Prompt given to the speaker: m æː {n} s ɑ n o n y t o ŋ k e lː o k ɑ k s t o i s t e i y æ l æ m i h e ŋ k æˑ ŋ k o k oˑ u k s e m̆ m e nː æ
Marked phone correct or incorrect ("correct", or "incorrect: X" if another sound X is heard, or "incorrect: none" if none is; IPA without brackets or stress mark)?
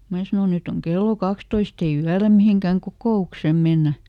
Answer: incorrect: none